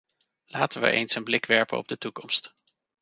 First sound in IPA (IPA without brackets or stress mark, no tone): l